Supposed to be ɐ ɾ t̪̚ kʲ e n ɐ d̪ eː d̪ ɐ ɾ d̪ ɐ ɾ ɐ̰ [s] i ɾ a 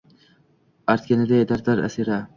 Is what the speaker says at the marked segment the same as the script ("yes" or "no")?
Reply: yes